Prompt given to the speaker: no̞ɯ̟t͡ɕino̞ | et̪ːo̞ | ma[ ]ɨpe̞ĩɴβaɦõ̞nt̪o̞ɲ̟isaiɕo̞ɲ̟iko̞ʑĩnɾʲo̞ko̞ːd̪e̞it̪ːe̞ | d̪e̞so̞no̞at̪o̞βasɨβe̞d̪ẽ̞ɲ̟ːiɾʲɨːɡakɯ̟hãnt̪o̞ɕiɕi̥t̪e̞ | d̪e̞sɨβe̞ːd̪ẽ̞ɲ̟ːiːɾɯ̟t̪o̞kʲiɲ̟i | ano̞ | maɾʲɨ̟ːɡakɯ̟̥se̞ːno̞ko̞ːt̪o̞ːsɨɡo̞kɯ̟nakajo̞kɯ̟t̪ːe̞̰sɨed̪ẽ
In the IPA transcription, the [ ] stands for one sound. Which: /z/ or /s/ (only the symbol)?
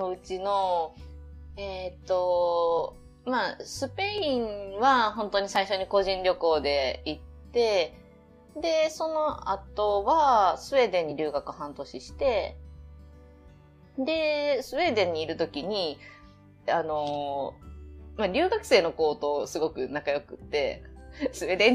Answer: s